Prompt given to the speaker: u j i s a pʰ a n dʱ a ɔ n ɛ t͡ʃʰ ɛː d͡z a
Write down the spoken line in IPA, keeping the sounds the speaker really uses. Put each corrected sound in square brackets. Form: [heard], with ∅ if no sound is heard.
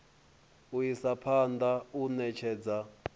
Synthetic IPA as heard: u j i s a pʰ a n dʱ a [u] n ɛ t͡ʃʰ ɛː d͡z a

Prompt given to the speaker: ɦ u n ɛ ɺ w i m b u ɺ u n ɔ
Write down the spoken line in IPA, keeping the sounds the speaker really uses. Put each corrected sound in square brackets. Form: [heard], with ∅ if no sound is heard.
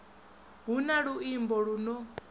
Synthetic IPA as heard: ɦ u n [a] ɺ [u] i m b [ɔ] ɺ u n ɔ

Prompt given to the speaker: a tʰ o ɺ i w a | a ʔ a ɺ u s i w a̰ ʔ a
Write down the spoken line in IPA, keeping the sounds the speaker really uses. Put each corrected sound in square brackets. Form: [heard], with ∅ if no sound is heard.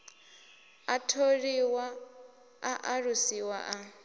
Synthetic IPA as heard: a tʰ o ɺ i w a | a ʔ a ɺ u s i w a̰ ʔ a

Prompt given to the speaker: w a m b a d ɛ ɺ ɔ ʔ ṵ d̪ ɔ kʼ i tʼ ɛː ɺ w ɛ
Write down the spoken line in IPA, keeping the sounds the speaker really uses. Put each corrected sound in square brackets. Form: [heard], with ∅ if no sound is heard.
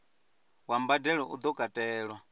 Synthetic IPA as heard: w a m b a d ɛ ɺ ɔ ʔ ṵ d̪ ɔ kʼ [a] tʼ ɛː ɺ w [a]

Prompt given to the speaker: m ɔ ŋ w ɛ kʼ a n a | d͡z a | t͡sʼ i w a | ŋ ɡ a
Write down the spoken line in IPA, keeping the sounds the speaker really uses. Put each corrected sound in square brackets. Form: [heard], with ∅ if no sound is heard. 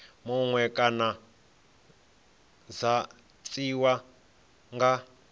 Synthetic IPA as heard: m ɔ ŋ w ɛ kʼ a n a | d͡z a | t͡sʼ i w a | ŋ ɡ a

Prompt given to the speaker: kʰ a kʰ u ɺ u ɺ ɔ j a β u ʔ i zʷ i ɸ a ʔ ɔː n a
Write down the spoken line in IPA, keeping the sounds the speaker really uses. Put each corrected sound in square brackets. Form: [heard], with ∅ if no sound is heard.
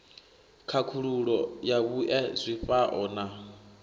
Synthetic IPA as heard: kʰ a kʰ u ɺ u ɺ ɔ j a β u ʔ [ɛ] zʷ i ɸ a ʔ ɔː n a

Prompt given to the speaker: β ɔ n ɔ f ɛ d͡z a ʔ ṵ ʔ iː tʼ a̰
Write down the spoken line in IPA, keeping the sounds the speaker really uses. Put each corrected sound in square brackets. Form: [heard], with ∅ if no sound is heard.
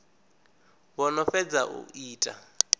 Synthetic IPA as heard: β ɔ n ɔ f ɛ d͡z a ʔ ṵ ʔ iː tʼ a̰

